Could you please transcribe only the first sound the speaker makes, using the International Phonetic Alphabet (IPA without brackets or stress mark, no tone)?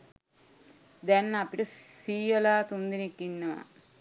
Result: d̪